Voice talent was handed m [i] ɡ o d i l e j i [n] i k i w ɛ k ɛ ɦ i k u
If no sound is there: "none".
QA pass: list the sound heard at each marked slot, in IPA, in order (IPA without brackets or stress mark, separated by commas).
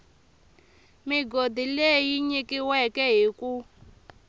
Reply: i, ɲ